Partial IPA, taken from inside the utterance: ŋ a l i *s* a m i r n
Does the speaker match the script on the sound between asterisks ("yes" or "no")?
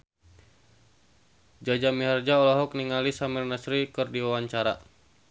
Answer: yes